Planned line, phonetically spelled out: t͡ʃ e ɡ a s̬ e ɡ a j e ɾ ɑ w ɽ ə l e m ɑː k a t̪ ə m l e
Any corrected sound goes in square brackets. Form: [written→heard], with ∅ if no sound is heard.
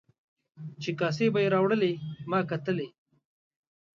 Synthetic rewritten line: t͡ʃ e [ɡ→k] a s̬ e [ɡ→b] a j e ɾ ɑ w ɽ ə l e m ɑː k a t̪ ə [m→∅] l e

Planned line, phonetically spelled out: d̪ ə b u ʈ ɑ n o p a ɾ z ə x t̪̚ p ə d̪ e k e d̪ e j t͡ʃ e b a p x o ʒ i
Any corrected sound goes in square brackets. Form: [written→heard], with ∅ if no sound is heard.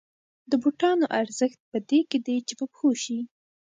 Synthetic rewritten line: d̪ ə b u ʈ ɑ n o [p→ʔ] a ɾ z ə x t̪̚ p ə d̪ e k e d̪ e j t͡ʃ e b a p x o [ʒ→ʃ] i

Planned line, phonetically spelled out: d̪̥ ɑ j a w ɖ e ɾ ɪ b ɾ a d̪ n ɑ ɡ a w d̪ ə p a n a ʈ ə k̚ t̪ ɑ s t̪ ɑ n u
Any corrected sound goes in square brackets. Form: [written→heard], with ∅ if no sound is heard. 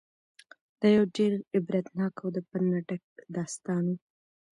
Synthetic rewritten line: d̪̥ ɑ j a w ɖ e ɾ ɪ b ɾ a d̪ n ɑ [ɡ→k] a w d̪ ə p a n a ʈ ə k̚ [t̪→d̪] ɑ s t̪ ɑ n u

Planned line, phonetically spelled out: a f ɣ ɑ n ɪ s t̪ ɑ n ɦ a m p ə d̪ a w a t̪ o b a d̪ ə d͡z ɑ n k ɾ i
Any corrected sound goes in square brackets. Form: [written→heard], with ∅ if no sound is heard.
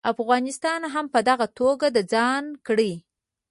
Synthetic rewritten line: a f ɣ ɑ n ɪ s t̪ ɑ n ɦ a m p ə d̪ a [w→ɣ] a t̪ o [b→ɡ] a d̪ ə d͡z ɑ n k [ɾ→ɽ] i

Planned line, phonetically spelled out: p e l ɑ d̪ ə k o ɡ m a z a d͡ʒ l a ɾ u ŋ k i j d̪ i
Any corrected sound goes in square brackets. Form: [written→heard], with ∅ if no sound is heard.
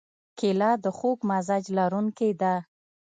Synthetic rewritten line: [p→k] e l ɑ d̪ ə [k→x] o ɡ m a z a d͡ʒ l a ɾ u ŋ k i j d̪ [i→a]

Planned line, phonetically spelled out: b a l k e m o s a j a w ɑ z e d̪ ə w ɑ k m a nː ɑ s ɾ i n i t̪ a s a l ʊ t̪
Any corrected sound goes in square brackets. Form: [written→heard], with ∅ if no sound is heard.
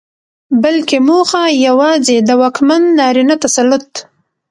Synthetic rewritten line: b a l k e m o [s→x] a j a w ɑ z e d̪ ə w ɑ k m a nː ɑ [s→∅] ɾ i n [i→a] t̪ a s a l ʊ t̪

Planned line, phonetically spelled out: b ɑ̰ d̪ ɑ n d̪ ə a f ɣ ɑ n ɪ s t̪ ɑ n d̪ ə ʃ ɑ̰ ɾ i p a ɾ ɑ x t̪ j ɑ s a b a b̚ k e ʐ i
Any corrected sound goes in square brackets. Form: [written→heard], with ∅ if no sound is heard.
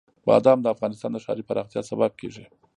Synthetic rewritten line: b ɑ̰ d̪ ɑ [n→m] d̪ ə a f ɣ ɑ n ɪ s t̪ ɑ n d̪ ə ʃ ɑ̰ ɾ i p a ɾ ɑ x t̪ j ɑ s a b a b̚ k e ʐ i

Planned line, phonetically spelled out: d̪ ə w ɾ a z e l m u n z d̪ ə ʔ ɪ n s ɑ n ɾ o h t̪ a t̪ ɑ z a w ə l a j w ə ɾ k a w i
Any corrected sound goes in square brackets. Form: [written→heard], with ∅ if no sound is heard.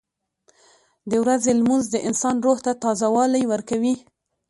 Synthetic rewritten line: d̪ ə w ɾ a z e l m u n z d̪ ə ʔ ɪ n s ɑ n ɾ o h t̪ a t̪ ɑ z a w [ə→ɑ] l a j w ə ɾ k a w i

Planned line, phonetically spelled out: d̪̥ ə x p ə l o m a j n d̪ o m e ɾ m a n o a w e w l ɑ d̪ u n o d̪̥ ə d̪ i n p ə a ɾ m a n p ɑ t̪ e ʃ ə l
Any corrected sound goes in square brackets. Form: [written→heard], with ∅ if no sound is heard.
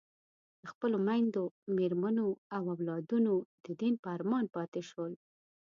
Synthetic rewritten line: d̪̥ ə x p ə l o m a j n d̪ o m e ɾ m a n o a w [e→a] w l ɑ d̪ u n o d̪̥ ə d̪ i n p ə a ɾ m [a→ɑ] n p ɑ t̪ e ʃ ə l

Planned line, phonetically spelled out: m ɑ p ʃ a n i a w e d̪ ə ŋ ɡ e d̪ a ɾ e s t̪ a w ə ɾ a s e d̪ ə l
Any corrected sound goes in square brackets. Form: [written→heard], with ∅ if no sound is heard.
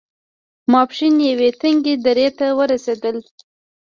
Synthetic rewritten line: m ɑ p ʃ [a→i] n [i→j] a w e [d̪→t̪] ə ŋ ɡ e d̪ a ɾ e [s→∅] t̪ a w ə ɾ a s e d̪ ə l

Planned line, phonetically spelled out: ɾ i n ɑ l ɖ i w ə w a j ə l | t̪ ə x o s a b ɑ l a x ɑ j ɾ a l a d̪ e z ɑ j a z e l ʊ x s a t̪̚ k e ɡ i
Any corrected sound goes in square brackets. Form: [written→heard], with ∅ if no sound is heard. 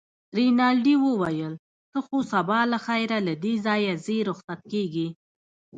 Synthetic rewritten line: ɾ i n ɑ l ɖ i w ə w a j ə l | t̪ ə x o s a b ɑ l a x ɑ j ɾ a l a d̪ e z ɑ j a z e [l→ɾ] ʊ x s a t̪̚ k e ɡ i

